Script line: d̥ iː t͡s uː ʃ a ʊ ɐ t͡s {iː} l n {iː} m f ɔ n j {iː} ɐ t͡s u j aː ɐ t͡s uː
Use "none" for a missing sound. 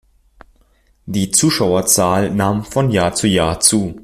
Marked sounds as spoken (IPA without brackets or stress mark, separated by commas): aː, aː, aː